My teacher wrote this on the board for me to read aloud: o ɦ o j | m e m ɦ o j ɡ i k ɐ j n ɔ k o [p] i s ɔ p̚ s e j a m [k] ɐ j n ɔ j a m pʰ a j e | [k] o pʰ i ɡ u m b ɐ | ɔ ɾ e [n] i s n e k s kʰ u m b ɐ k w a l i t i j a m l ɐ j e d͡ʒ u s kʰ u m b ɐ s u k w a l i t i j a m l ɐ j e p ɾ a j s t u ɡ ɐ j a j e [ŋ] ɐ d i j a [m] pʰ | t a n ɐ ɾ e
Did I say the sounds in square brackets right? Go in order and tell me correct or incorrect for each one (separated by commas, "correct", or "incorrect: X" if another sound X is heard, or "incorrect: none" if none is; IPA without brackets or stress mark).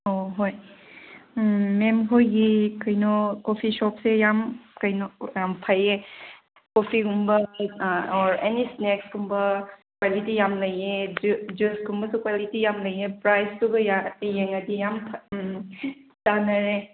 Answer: incorrect: pʰ, correct, correct, correct, correct, correct